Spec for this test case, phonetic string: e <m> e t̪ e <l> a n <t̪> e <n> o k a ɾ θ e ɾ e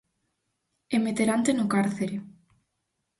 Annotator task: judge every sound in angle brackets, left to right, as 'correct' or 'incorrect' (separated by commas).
correct, incorrect, correct, correct